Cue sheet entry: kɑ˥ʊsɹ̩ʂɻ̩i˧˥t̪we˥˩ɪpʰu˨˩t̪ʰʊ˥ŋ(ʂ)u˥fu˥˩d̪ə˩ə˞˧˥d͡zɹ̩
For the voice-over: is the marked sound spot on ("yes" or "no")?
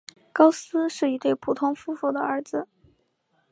no